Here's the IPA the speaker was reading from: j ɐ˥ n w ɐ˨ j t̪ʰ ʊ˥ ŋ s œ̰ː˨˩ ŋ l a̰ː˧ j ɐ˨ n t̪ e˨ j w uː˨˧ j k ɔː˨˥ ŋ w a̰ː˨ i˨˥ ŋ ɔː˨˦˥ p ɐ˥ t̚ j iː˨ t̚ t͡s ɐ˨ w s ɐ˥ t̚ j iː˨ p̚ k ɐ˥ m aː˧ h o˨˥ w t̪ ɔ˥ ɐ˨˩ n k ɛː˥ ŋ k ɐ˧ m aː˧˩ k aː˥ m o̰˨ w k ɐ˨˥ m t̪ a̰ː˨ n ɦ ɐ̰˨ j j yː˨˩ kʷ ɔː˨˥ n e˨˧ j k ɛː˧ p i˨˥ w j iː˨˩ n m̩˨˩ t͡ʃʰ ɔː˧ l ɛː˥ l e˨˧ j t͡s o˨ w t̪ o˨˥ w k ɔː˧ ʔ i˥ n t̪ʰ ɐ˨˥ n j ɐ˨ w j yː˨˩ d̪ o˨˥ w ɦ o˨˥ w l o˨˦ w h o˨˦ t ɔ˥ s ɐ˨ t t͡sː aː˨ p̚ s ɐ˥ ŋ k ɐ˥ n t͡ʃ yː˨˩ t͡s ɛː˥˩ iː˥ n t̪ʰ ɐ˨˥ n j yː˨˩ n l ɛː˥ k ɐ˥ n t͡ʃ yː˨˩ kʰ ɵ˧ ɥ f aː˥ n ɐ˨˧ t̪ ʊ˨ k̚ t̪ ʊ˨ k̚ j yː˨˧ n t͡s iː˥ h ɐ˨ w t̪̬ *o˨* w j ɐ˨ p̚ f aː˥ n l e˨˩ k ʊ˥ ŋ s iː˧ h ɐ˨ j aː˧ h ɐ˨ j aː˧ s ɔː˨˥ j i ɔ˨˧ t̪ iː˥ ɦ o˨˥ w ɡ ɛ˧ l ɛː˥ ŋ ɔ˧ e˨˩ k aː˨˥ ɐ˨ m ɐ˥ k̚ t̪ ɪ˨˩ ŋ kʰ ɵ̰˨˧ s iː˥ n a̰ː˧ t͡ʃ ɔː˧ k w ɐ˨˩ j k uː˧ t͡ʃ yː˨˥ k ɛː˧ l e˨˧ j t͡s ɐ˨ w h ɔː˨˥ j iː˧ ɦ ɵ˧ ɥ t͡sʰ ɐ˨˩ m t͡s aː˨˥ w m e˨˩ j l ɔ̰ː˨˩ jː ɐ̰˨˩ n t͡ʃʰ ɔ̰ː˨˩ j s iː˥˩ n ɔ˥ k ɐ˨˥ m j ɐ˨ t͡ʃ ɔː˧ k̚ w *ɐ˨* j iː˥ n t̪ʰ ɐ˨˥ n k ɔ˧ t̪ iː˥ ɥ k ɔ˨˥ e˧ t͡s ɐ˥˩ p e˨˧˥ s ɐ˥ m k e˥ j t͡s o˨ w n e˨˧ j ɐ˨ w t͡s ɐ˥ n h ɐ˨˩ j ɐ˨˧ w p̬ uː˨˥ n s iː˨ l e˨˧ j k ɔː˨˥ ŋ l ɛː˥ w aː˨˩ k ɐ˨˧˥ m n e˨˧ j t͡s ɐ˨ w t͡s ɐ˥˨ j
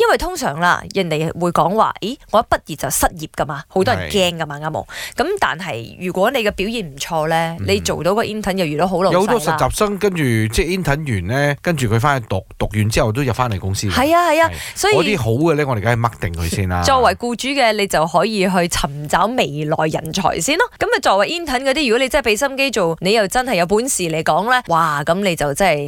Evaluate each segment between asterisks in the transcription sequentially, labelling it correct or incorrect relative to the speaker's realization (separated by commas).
incorrect, correct